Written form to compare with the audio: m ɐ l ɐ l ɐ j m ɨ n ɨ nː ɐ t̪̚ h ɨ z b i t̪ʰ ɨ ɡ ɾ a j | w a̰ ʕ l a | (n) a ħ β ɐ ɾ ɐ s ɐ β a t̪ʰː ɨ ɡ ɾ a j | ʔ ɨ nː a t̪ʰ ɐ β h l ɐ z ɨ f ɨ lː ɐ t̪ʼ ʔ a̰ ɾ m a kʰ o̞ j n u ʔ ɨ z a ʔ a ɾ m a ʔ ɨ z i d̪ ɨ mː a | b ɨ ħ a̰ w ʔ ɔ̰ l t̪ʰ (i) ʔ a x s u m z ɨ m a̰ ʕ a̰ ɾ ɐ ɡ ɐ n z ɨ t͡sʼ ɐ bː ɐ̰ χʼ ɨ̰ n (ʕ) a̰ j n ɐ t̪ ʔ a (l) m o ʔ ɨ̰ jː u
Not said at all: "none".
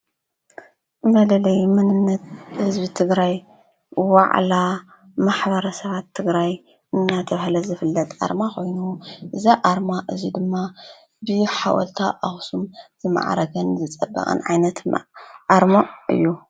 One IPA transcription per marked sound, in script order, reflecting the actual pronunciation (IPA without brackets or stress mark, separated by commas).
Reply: m, a, ʕ, ɾ